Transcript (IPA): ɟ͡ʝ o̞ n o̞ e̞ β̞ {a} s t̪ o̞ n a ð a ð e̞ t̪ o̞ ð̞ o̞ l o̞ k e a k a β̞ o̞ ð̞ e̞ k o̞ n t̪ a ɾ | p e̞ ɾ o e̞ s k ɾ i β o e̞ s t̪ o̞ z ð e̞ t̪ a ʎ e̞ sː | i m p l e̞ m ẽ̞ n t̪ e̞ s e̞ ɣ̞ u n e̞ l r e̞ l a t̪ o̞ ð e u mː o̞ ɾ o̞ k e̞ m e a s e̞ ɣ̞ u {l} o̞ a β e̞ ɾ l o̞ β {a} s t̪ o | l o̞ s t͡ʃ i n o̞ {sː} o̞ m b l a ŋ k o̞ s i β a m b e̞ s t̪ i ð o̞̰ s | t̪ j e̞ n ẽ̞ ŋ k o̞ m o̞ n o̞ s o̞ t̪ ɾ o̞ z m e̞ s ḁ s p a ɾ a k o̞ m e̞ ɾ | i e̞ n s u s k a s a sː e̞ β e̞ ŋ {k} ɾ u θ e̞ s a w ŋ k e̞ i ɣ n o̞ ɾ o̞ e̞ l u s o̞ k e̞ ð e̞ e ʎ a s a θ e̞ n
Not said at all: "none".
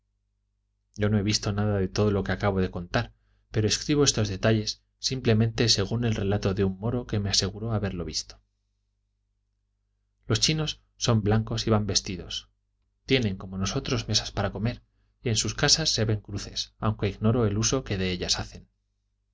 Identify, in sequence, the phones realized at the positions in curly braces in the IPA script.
i, ɾ, i, sː, k

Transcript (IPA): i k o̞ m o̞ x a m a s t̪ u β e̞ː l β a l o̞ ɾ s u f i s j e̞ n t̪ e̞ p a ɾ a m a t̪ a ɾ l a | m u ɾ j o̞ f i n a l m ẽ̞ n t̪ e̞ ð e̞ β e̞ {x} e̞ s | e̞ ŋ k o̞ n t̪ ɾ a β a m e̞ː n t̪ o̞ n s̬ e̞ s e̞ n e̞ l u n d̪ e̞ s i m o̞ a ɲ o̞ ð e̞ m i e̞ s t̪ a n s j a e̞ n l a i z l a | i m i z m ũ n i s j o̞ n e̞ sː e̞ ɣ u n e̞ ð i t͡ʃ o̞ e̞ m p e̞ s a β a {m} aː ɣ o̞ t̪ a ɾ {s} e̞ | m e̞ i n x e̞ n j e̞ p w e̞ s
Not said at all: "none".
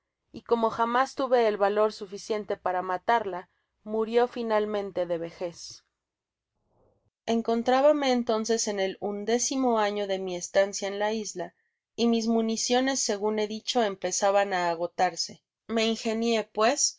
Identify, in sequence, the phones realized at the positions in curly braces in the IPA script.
x, n, s

